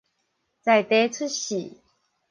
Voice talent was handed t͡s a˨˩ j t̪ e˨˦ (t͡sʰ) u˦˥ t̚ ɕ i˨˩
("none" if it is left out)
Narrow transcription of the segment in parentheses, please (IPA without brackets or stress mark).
t͡sʰ